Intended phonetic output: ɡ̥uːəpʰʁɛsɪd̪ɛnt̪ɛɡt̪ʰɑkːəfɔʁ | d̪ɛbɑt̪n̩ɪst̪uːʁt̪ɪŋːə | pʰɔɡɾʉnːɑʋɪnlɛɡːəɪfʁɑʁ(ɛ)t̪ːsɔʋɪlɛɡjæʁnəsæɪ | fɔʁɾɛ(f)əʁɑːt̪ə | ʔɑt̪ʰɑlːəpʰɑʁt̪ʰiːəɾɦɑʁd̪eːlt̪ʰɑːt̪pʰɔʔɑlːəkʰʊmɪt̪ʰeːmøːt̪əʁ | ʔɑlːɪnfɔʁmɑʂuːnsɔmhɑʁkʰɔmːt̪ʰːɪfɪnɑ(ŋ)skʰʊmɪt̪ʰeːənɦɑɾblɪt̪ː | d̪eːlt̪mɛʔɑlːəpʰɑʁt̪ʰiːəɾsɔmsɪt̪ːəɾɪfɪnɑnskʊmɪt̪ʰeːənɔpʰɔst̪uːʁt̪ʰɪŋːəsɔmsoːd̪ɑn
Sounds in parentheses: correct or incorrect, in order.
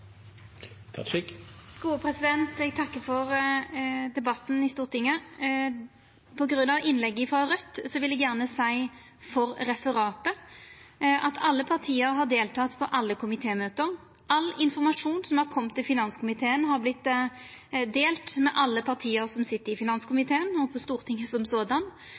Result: incorrect, correct, incorrect

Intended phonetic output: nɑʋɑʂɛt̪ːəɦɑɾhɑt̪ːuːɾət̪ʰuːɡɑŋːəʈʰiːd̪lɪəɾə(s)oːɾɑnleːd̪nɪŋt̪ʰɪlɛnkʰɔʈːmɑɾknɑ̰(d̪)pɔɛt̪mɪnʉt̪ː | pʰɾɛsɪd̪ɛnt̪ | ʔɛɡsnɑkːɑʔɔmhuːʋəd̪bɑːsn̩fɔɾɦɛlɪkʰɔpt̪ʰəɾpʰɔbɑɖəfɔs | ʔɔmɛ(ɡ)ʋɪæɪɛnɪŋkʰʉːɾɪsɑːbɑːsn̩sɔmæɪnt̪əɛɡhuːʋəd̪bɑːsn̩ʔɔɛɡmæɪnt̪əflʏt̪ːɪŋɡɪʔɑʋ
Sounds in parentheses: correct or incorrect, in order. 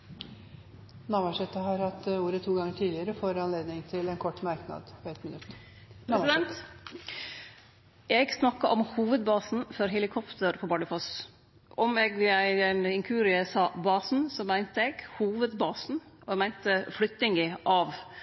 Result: incorrect, correct, correct

